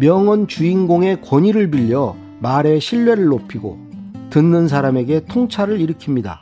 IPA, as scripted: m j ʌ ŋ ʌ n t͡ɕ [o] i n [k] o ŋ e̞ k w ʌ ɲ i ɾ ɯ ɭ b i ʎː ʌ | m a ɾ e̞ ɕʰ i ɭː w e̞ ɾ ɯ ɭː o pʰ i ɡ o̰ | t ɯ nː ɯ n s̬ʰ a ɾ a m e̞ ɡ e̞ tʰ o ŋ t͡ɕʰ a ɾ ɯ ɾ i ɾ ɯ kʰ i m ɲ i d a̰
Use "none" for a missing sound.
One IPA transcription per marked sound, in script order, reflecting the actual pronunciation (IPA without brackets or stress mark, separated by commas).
u, ɡ